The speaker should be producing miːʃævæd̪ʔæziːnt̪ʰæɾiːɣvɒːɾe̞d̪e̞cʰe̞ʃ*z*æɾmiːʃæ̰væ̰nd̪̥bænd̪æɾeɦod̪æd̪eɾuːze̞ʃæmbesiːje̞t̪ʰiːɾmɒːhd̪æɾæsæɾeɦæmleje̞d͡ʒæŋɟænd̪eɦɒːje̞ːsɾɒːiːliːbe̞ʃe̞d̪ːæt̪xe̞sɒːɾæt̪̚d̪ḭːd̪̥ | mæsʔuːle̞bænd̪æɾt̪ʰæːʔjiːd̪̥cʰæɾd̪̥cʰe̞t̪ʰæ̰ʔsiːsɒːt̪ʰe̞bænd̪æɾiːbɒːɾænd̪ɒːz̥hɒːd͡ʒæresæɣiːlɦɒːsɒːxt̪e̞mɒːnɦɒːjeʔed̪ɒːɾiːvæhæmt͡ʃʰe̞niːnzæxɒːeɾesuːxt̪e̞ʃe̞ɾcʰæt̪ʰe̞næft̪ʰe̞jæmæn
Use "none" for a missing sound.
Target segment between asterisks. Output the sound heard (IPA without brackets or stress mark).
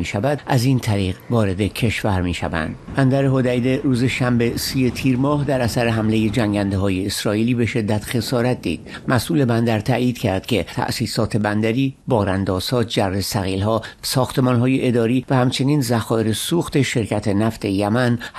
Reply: v